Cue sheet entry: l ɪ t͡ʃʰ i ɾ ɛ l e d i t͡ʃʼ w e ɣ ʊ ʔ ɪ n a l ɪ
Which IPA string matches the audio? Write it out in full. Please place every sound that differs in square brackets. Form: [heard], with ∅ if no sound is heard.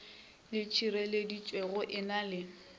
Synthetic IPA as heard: l ɪ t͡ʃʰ i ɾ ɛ l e d i t͡ʃʼ w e ɣ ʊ ʔ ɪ n a l ɪ